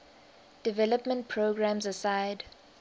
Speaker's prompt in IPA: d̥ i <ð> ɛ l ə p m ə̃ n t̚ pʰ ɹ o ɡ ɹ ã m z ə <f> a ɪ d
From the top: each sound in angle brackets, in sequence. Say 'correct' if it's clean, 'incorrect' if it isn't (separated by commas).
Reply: incorrect, incorrect